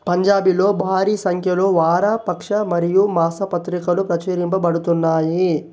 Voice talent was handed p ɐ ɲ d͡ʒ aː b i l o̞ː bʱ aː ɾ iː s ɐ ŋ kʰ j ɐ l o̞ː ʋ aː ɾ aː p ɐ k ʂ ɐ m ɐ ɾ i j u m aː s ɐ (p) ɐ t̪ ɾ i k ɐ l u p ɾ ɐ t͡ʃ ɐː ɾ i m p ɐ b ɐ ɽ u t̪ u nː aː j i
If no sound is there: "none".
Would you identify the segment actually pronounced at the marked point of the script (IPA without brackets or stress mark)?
p